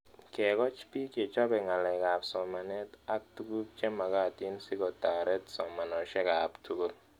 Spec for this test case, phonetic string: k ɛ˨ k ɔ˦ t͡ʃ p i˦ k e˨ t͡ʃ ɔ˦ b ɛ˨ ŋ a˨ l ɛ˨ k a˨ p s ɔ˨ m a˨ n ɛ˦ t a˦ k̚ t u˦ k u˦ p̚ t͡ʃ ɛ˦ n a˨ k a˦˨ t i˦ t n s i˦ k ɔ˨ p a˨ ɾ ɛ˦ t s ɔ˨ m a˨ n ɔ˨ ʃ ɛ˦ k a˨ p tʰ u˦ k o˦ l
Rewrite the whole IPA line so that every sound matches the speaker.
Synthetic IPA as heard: k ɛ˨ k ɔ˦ t͡ʃ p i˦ k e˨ t͡ʃ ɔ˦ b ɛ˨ ŋ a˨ l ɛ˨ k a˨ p s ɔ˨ m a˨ n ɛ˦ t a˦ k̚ t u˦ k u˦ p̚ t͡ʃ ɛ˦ m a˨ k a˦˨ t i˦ n s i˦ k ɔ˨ t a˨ ɾ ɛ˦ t s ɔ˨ m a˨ n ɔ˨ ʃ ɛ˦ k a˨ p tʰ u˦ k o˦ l